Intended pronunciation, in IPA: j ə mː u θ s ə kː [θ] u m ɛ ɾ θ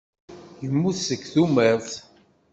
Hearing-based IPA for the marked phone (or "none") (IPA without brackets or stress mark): θ